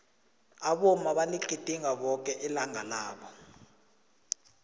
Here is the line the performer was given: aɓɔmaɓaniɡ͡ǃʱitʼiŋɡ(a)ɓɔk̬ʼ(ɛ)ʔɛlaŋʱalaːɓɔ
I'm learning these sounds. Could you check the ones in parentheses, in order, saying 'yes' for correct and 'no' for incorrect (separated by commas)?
yes, yes